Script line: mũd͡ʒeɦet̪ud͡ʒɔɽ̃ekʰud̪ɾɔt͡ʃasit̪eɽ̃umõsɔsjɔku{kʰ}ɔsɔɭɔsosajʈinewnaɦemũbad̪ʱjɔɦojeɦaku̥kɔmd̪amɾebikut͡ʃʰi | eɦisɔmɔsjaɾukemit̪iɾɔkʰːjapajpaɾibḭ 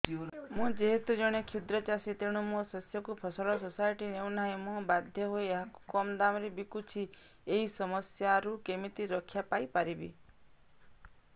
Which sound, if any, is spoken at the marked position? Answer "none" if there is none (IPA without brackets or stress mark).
pʰ